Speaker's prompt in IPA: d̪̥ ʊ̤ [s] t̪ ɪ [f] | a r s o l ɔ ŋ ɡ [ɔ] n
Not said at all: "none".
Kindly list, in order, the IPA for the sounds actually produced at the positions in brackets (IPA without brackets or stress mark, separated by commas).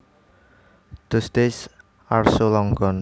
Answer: s, s, ɔ